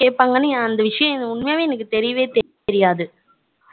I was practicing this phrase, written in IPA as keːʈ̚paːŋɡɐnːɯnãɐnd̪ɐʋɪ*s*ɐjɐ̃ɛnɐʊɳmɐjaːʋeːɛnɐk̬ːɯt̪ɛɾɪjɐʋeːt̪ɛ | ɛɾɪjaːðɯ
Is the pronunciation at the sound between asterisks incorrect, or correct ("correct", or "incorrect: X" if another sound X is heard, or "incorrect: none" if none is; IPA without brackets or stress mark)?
incorrect: ʂ